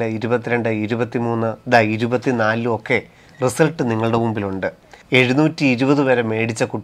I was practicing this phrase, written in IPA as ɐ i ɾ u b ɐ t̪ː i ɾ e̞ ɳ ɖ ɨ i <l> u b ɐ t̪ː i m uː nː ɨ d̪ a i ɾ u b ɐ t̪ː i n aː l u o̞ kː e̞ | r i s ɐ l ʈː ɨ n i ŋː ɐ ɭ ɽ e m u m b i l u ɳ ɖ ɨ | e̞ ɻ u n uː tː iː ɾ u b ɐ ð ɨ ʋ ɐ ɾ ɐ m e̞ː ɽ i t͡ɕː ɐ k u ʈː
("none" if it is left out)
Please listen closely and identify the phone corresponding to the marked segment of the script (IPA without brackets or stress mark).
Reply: ɾ